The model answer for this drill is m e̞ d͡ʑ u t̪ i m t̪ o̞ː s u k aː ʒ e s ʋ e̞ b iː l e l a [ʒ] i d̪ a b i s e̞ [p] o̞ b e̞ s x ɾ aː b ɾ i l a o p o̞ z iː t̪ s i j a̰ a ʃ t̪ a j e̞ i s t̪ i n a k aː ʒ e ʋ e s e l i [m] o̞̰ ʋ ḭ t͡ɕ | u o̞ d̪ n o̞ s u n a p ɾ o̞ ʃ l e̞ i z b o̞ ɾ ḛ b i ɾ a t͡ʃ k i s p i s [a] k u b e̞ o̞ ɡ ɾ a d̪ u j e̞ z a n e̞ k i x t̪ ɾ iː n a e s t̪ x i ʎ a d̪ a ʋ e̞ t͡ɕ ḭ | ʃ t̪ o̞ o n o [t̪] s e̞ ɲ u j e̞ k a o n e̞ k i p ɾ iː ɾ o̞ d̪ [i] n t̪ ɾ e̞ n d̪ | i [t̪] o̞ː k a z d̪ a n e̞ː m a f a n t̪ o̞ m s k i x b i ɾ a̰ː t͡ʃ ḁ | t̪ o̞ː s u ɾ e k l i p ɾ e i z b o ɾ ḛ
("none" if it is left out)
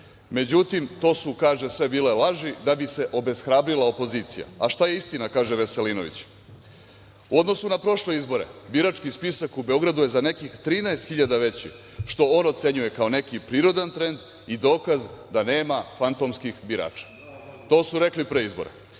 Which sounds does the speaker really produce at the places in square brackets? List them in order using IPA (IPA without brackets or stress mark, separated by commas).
ʒ, ʔ, n, a, t̪, a, d̪